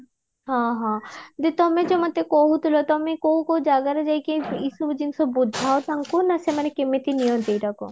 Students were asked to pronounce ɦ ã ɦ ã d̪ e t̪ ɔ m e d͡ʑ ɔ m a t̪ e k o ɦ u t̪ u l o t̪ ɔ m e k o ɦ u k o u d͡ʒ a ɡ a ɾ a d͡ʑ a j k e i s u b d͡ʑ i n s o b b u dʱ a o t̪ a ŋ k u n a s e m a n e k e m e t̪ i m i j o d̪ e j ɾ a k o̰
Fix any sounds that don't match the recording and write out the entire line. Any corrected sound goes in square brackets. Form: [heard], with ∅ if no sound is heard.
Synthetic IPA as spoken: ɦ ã ɦ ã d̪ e t̪ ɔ m e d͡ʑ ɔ m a t̪ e k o ɦ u t̪ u l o t̪ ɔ m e k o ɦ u k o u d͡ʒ a ɡ a ɾ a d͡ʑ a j k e i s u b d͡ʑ i n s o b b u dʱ a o t̪ a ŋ k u n a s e m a n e k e m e t̪ i [n] i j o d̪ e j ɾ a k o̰